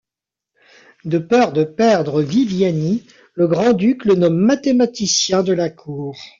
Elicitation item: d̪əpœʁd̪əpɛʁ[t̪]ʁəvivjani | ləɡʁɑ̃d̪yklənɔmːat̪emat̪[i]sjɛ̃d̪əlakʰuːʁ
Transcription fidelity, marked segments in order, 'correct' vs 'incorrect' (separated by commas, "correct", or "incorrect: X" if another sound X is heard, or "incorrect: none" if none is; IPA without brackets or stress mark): incorrect: d̪, correct